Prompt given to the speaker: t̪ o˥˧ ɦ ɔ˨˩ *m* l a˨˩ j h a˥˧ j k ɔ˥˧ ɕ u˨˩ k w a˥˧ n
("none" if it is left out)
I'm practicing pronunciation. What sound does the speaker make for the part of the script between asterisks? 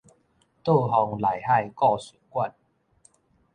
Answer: ŋ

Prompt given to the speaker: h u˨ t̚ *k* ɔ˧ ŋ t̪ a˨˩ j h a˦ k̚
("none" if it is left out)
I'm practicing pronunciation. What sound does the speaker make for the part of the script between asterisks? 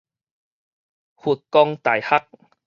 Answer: k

